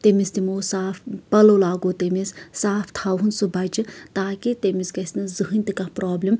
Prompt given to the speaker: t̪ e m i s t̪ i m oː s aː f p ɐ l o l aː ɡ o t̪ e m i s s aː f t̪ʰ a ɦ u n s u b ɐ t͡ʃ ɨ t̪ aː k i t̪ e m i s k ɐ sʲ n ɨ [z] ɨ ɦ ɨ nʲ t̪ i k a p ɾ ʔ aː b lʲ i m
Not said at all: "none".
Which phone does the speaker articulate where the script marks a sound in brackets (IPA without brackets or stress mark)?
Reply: z